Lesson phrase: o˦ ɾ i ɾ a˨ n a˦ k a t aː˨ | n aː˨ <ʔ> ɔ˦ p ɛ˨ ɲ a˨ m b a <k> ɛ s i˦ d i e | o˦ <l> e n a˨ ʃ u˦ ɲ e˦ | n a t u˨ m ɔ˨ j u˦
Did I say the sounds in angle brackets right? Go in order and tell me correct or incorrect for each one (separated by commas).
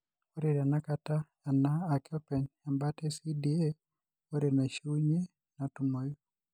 incorrect, incorrect, incorrect